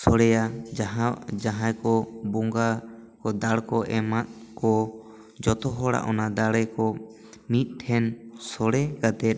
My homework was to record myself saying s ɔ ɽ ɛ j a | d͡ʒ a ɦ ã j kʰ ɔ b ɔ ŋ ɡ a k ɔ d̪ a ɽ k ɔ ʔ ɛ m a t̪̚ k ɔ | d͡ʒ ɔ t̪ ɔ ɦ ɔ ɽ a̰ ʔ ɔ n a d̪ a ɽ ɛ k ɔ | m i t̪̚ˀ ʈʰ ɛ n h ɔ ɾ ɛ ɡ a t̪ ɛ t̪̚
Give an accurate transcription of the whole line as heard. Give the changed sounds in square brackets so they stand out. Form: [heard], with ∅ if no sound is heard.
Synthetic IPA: s ɔ ɽ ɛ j a | d͡ʒ a ɦ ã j [k] ɔ b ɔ ŋ ɡ a k ɔ d̪ a ɽ k ɔ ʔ ɛ m a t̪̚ k ɔ | d͡ʒ ɔ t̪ ɔ ɦ ɔ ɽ a̰ ʔ ɔ n a d̪ a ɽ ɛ k ɔ | m i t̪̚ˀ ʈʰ ɛ n [s] ɔ [ɽ] ɛ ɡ a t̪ ɛ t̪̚